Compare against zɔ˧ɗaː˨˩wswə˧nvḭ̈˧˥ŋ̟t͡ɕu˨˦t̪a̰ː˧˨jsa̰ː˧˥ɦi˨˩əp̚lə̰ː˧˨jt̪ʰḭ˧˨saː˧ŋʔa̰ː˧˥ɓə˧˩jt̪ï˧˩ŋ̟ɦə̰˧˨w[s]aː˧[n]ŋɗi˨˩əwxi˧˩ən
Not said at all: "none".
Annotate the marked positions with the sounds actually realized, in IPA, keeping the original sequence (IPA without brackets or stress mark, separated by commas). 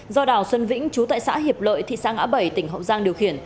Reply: z, none